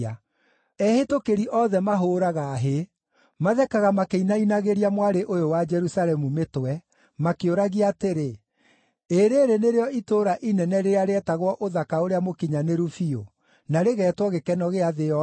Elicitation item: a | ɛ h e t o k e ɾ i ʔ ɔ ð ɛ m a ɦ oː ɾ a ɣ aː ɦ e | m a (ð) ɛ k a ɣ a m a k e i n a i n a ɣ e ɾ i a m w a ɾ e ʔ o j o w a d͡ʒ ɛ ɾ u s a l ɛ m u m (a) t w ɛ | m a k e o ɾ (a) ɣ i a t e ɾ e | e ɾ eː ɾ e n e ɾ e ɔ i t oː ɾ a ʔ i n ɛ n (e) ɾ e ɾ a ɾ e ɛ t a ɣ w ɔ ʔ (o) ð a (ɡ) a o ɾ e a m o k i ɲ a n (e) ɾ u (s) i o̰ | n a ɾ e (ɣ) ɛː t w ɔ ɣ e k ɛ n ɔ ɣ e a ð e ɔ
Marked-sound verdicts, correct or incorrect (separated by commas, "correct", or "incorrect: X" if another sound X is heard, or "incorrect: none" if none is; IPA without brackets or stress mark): correct, incorrect: e, correct, incorrect: ɛ, correct, incorrect: k, correct, incorrect: f, correct